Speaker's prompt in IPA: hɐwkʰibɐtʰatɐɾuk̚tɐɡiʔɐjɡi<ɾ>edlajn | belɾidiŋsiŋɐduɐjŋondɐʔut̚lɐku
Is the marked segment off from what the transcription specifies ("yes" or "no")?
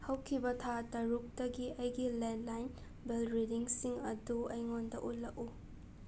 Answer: yes